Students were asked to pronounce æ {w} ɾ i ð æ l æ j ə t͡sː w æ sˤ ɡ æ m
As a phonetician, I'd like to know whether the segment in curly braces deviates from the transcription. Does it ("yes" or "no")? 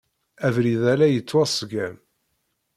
yes